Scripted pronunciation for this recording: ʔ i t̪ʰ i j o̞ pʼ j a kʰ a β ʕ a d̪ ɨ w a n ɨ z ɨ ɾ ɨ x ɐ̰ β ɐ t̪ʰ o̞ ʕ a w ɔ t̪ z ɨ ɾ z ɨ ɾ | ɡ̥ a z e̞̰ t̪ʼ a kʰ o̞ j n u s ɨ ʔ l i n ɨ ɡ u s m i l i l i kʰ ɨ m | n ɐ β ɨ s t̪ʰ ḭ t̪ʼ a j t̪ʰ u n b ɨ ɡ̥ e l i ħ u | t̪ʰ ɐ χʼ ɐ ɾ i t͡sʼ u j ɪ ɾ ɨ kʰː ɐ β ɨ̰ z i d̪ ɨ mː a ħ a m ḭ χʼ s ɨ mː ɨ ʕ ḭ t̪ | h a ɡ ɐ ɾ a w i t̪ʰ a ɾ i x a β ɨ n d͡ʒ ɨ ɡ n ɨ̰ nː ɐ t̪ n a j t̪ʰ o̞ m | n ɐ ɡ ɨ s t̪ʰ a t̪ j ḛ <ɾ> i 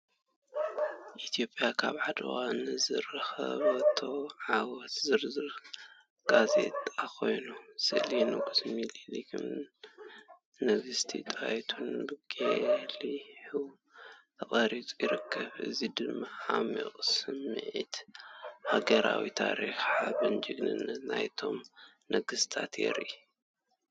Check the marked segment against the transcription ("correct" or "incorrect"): correct